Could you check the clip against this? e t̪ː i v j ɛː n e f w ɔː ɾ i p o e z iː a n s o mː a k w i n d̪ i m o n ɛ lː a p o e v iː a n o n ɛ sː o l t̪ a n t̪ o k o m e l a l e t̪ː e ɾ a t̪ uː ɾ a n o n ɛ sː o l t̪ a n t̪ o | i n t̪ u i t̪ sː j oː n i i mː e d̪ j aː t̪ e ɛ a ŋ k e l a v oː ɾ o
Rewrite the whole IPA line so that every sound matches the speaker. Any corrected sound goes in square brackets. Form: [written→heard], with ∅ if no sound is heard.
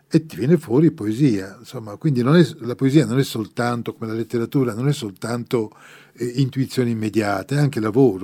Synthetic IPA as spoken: e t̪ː i v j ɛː n e f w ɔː ɾ i p o e z iː a n s o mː a k w i n d̪ i [m→n] o n ɛ [lː→l] a p o e [v→z] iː a n o n ɛ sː o l t̪ a n t̪ o k o m e l a l e t̪ː e ɾ a t̪ uː ɾ a n o n ɛ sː o l t̪ a n t̪ o | i n t̪ u i t̪ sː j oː n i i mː e d̪ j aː t̪ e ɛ a ŋ k e l a v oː ɾ o